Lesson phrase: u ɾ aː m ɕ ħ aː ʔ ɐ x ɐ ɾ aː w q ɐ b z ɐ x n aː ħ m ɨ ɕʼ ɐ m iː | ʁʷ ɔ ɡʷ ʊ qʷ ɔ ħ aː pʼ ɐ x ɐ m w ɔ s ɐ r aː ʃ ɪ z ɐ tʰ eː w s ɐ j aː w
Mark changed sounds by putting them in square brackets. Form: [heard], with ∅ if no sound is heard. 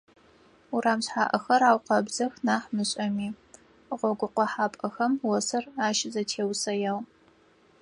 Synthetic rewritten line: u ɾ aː m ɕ ħ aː ʔ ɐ x ɐ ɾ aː w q ɐ b z ɐ x n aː ħ m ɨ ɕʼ ɐ m iː | ʁʷ ɔ ɡʷ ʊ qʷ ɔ ħ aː pʼ ɐ x ɐ m w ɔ s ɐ r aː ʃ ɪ z ɐ tʰ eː w s ɐ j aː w